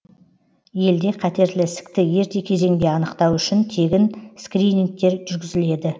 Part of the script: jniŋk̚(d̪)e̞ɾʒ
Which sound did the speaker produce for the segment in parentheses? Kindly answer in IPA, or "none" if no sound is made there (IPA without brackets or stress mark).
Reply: t̪